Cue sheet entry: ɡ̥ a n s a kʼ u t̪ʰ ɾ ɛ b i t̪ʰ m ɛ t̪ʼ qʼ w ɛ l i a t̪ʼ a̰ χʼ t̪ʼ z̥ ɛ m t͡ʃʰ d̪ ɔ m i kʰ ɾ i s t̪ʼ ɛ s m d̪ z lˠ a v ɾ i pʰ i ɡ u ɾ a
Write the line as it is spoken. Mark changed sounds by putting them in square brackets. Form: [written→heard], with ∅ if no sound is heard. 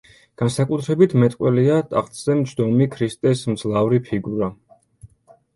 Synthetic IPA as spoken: ɡ̥ a n s a kʼ u t̪ʰ ɾ ɛ b i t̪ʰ m ɛ t̪ʼ qʼ w ɛ l i a t̪ʼ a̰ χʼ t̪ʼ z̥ ɛ m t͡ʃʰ d̪ ɔ m i kʰ ɾ i s t̪ʼ ɛ s m d̪ z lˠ a v ɾ i pʰ i ɡ u ɾ a